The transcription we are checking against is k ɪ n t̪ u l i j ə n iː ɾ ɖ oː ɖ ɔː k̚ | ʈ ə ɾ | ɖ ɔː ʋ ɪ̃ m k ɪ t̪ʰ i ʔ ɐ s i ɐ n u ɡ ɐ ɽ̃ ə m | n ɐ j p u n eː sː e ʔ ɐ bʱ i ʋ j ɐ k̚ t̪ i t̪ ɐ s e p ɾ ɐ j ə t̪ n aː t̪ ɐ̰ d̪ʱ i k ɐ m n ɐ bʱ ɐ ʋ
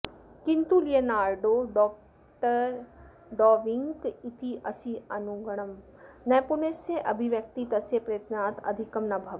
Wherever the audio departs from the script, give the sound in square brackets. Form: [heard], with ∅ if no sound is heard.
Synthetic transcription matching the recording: k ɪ n t̪ u l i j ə n [aː] ɾ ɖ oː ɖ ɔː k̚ | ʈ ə ɾ | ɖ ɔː ʋ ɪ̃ [ŋ] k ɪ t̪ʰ i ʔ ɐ s i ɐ n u ɡ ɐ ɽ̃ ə m | n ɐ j p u n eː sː e ʔ ɐ bʱ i ʋ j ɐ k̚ t̪ i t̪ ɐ s e p ɾ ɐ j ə t̪ n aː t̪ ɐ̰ d̪ʱ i k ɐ m n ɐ bʱ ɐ ʋ